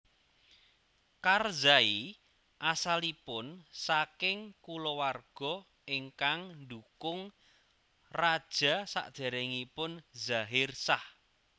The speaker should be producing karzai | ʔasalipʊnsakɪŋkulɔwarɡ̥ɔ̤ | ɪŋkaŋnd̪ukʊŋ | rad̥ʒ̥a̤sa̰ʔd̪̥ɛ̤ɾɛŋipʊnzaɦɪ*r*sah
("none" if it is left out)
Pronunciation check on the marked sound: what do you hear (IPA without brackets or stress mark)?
r